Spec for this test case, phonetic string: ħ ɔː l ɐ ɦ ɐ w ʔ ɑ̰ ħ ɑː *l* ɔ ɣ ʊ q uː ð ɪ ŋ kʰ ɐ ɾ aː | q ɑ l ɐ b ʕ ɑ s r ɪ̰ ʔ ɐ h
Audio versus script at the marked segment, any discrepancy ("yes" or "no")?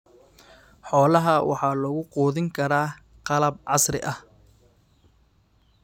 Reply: no